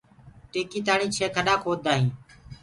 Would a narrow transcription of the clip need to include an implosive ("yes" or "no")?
yes